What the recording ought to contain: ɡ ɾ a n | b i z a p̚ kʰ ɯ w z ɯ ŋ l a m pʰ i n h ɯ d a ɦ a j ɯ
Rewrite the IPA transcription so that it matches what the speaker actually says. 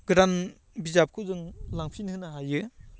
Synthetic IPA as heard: ɡ ɾ a n | b i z a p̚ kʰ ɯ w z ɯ ŋ l a ŋ pʰ i n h ɯ n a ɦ a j ɯ